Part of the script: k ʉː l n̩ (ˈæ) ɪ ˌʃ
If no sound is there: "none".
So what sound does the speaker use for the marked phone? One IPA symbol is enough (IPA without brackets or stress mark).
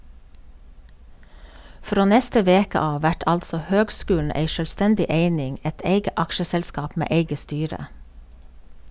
e